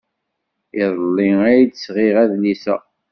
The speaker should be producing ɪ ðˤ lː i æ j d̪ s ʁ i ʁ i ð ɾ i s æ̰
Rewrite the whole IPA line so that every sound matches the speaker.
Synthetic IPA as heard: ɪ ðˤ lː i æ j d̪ s ʁ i ʁ æ ð l i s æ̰